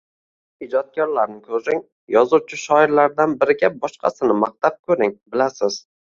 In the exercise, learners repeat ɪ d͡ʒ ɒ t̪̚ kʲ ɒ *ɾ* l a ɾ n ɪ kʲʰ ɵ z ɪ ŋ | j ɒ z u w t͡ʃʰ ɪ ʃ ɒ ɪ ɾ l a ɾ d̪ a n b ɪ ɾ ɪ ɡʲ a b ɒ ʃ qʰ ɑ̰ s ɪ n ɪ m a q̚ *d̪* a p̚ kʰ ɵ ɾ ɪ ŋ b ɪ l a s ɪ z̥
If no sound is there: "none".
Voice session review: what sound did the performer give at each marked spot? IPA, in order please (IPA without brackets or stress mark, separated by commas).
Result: ɾ, t̪